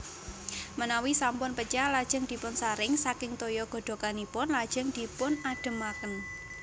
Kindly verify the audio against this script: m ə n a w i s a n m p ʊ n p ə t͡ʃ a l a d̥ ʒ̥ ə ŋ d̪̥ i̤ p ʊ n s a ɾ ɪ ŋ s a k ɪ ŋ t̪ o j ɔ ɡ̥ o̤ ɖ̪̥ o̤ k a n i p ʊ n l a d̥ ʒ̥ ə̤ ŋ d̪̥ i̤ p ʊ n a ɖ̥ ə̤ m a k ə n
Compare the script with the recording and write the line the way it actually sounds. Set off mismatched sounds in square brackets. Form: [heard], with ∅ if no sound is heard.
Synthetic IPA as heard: m ə n a w i s a [∅] m p ʊ n p ə t͡ʃ a l a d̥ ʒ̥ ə ŋ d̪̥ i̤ p ʊ n s a ɾ ɪ ŋ s a k ɪ ŋ t̪ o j ɔ ɡ̥ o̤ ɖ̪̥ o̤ k a n i p ʊ n l a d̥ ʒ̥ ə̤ ŋ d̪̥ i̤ p ʊ n a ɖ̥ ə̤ m a k ə n